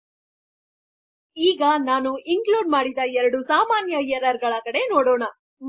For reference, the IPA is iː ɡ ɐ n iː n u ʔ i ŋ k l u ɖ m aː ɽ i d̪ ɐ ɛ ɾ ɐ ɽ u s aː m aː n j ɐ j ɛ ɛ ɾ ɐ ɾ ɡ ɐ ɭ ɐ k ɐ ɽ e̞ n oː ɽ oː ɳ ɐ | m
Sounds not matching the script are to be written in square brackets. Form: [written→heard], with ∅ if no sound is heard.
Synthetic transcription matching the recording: iː ɡ ɐ n [iː→aː] n u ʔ i ŋ k l [u→uː] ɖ m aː ɽ i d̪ ɐ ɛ ɾ ɐ ɽ u s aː m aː n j ɐ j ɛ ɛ ɾ ɐ ɾ ɡ ɐ ɭ ɐ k ɐ ɽ e̞ n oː ɽ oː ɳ ɐ | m